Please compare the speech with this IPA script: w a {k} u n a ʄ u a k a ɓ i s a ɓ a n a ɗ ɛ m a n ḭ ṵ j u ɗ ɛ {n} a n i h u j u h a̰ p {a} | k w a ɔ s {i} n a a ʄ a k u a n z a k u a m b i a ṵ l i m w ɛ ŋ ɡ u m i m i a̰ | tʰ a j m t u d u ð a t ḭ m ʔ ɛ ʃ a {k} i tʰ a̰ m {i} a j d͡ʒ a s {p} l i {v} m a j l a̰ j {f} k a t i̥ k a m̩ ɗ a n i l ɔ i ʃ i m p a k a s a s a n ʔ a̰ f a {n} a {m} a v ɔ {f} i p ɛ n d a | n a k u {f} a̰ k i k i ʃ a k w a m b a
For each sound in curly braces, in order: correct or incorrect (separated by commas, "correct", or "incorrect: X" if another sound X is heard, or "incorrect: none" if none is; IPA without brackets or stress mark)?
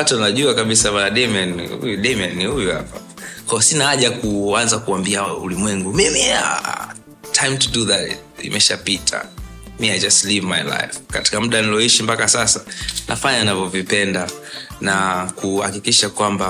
incorrect: t, incorrect: m, correct, correct, incorrect: p, correct, incorrect: t, correct, correct, incorrect: ɲ, incorrect: n, incorrect: v, incorrect: h